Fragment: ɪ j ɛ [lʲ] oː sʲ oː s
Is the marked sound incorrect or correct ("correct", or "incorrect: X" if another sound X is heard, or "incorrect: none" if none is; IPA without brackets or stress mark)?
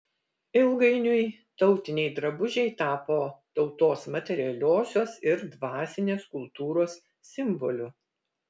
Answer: correct